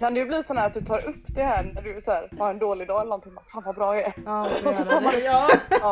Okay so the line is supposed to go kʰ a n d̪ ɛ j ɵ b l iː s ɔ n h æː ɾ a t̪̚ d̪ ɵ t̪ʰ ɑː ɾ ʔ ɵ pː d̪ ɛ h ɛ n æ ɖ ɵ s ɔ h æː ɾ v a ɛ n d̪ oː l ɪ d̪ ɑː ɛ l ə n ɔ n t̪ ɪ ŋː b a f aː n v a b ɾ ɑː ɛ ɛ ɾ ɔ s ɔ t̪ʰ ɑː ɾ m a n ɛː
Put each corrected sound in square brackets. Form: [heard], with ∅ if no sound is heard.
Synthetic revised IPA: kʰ a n d̪ ɛ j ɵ b l iː s ɔ n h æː ɾ a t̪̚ d̪ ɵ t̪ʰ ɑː ɾ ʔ ɵ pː d̪ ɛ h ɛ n æ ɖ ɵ s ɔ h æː ɾ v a ɛ n d̪ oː l ɪ d̪ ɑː ɛ l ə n ɔ n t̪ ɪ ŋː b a f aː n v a b ɾ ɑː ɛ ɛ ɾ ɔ s ɔ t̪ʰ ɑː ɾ m a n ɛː